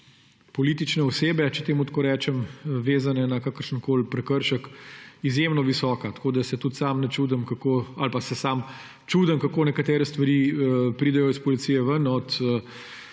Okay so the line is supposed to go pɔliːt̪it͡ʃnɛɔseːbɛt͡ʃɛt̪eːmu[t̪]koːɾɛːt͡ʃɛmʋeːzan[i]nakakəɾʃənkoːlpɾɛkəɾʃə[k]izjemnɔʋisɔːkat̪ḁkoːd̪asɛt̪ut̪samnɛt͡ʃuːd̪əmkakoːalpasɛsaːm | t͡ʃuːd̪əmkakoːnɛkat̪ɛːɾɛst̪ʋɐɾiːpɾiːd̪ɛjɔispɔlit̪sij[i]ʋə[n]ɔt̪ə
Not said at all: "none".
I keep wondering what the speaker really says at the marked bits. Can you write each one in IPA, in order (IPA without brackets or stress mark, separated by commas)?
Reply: t̪, ɛ, k, ɛ, n